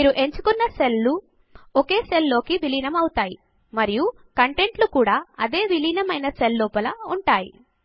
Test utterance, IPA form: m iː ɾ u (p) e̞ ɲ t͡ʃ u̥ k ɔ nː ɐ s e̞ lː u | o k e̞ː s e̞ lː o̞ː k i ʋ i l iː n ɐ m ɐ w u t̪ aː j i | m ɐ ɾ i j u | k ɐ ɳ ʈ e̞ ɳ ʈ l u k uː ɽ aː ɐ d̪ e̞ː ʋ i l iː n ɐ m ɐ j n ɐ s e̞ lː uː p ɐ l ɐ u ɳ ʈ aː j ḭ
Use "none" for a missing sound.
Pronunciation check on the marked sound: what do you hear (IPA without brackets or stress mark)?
ʔ